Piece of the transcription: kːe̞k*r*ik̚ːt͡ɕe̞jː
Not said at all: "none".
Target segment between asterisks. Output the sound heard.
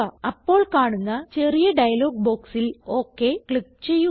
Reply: ɭ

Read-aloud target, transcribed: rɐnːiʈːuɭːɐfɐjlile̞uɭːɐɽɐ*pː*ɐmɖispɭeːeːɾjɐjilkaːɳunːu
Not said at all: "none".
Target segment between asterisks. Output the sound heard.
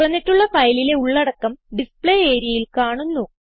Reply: kː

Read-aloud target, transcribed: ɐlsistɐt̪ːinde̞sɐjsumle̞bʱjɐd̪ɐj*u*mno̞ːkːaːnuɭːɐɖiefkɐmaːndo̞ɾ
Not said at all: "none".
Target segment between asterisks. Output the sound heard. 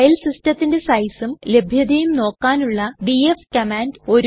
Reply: u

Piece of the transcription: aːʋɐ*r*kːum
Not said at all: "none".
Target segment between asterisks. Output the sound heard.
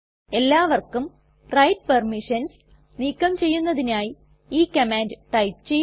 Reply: r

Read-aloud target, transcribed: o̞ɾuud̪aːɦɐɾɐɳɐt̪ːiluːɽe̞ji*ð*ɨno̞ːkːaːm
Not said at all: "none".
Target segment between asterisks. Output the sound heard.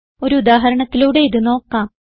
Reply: ð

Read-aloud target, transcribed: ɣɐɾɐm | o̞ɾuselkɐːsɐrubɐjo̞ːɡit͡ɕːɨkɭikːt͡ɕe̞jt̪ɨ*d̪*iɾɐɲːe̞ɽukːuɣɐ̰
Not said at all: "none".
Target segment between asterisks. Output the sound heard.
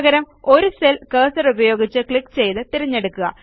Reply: t̪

